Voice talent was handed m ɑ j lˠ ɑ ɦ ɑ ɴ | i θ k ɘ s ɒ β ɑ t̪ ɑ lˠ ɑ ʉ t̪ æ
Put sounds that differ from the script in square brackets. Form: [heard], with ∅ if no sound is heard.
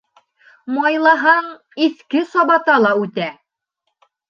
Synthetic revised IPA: m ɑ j lˠ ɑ ɦ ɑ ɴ | i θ k ɘ s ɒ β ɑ t̪ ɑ lˠ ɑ ʉ t̪ æ

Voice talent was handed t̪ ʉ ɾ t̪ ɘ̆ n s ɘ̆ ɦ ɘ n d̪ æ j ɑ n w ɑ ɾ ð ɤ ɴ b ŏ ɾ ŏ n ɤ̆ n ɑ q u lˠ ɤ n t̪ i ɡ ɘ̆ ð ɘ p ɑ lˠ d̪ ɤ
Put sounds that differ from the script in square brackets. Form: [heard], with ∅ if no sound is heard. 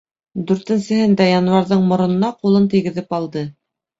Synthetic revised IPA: [d̪] ʉ ɾ t̪ ɘ̆ n s ɘ̆ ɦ ɘ n d̪ æ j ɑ n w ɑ ɾ ð ɤ ɴ [m] ŏ ɾ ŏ n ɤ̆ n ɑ q u lˠ ɤ n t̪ i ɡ ɘ̆ ð ɘ p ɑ lˠ d̪ ɤ

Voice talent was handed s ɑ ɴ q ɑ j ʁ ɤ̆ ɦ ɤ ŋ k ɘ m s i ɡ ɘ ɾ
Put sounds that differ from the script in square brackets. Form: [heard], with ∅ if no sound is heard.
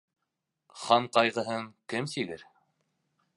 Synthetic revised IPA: [χ] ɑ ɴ q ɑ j ʁ ɤ̆ ɦ ɤ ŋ k ɘ m s i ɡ ɘ ɾ

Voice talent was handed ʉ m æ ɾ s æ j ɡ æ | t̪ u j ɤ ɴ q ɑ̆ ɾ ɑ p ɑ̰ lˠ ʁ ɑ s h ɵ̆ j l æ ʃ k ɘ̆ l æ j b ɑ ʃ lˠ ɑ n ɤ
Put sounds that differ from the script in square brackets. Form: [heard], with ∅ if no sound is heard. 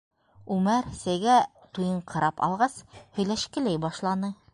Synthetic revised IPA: ʉ m æ ɾ s æ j ɡ æ | t̪ u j ɤ ɴ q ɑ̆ ɾ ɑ p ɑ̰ lˠ ʁ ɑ s h ɵ̆ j l æ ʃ k ɘ̆ l æ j b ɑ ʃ lˠ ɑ n ɤ

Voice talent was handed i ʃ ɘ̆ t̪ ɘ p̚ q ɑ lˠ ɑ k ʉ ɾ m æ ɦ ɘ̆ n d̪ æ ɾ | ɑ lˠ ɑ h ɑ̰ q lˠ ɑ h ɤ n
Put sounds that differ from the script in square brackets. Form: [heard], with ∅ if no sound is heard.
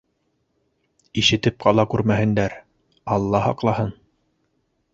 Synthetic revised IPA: i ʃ ɘ̆ t̪ ɘ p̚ q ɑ lˠ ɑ k ʉ ɾ m æ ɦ ɘ̆ n d̪ æ ɾ | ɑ [lˠː] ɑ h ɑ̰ q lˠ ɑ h ɤ n

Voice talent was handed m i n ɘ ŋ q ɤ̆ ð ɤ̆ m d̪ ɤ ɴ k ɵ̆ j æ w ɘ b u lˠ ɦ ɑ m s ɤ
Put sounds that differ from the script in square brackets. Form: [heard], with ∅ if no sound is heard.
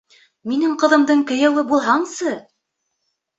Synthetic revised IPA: m i n ɘ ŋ q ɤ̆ ð ɤ̆ m d̪ ɤ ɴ k ɵ̆ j æ w ɘ b u lˠ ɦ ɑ [ɴ] s ɤ

